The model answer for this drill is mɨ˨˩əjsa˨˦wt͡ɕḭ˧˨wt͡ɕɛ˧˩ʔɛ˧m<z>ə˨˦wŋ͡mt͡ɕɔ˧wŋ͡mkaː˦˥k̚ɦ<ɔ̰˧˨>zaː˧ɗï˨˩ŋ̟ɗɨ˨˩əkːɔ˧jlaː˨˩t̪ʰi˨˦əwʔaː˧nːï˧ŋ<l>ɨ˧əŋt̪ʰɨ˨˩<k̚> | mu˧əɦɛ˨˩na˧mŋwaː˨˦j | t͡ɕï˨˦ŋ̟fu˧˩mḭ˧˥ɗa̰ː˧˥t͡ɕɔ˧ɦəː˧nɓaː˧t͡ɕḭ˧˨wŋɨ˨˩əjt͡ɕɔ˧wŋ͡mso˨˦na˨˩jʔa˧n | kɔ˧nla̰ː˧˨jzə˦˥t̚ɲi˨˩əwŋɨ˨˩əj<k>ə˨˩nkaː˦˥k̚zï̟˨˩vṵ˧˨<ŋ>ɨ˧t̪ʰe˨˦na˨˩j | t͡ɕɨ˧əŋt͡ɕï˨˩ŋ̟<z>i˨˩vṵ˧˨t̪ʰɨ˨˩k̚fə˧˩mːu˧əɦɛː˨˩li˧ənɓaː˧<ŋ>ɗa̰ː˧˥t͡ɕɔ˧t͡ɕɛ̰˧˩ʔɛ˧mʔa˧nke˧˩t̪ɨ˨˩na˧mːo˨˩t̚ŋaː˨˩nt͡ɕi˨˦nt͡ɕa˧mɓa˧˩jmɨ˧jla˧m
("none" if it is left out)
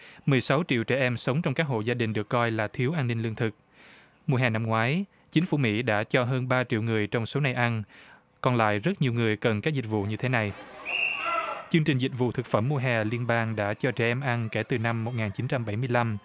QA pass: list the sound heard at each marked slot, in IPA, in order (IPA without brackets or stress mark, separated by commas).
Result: s, o̰˧˨, l, k̚, k, ɲ, z, ŋ